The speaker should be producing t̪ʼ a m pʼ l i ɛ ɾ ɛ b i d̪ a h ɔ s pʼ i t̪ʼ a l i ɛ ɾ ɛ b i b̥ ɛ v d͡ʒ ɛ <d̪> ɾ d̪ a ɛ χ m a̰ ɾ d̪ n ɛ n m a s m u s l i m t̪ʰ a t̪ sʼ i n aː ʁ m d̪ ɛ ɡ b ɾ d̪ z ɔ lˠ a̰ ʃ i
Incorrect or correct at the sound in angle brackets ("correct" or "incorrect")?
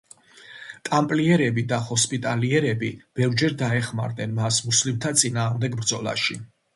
incorrect